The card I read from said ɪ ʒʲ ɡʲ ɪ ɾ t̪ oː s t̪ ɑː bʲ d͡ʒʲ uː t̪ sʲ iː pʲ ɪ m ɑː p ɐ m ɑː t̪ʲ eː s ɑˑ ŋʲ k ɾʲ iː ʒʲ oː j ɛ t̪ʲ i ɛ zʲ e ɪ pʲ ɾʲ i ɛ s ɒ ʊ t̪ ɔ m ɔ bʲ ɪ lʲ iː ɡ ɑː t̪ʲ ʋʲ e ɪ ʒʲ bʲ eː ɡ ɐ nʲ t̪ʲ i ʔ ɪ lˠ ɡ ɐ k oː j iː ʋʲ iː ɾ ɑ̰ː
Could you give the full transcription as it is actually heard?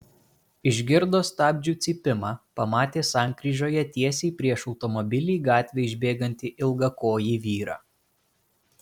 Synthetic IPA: ɪ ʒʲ ɡʲ ɪ ɾ d̪ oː s t̪ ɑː bʲ d͡ʒʲ uː t̪ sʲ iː pʲ ɪ m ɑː p ɐ m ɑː t̪ʲ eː s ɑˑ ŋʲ k ɾʲ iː ʒʲ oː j ɛ t̪ʲ i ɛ sʲ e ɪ pʲ ɾʲ i ɛ ʃ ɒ ʊ t̪ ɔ m ɔ bʲ ɪ lʲ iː ɡ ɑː t̪ʲ ʋʲ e ɪ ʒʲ bʲ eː ɡ ɐ nʲ t̪ʲ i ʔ ɪ lˠ ɡ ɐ k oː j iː ʋʲ iː ɾ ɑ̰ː